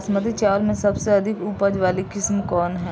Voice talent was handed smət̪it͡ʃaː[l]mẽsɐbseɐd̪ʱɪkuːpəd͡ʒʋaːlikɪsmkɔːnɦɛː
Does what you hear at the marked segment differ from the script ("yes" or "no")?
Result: no